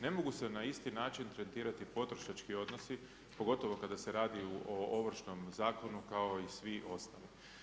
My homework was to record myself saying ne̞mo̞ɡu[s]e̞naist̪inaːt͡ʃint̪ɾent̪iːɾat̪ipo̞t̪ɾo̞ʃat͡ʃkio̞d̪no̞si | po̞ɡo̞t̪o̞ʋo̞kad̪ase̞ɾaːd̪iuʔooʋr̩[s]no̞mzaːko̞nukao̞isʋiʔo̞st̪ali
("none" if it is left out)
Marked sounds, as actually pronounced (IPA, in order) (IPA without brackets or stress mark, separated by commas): s, ʃ